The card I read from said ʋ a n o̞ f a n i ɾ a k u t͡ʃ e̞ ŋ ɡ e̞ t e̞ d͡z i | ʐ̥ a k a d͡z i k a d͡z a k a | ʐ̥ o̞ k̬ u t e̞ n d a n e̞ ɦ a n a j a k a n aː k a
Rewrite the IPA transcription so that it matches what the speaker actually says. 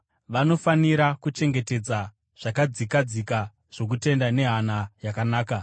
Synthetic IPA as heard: ʋ a n o̞ f a n i ɾ a k u t͡ʃ e̞ ŋ ɡ e̞ t e̞ d͡z a | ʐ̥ a k a d͡z i k a d͡z i k a | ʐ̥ o̞ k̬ u t e̞ n d a n e̞ ɦ a n a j a k a n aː k a